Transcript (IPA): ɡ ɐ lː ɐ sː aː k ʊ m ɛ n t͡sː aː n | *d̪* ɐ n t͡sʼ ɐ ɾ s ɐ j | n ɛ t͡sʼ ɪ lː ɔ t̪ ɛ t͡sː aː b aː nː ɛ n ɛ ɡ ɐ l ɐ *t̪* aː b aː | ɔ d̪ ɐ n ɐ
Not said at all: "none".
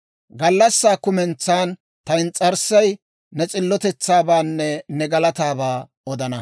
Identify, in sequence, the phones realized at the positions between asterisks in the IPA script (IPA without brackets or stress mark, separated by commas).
t̪, t̪